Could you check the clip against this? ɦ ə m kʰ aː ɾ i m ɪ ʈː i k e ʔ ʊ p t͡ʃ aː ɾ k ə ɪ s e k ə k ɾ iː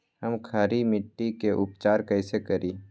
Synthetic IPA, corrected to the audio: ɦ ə m kʰ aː ɾ i m ɪ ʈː i k e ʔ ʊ p t͡ʃ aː ɾ k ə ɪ s e k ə ɾ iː